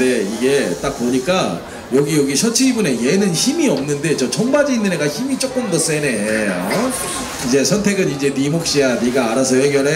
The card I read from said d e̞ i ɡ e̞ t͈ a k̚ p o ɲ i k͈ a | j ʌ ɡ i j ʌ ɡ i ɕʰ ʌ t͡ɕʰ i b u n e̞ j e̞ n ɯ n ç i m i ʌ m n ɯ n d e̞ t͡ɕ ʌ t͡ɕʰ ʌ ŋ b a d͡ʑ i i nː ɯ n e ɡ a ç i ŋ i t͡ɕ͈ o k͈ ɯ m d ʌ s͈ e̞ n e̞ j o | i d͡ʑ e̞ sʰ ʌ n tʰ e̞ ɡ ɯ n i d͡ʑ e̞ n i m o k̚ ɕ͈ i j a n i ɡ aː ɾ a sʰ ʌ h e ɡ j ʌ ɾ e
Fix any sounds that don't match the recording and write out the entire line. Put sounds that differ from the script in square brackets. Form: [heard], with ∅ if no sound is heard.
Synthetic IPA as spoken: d e̞ i ɡ e̞ t͈ a k̚ p o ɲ i k͈ a | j ʌ ɡ i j ʌ ɡ i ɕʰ ʌ t͡ɕʰ i b u n e̞ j e̞ n ɯ n ç i m i ʌ m n ɯ n d e̞ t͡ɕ ʌ t͡ɕʰ ʌ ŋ b a d͡ʑ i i nː ɯ n e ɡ a ç i [m] i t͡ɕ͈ o k͈ ɯ m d ʌ s͈ e̞ n e̞ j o | i d͡ʑ e̞ sʰ ʌ n tʰ e̞ ɡ ɯ n i d͡ʑ e̞ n i m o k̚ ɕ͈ i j a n i ɡ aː ɾ a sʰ ʌ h e ɡ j ʌ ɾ e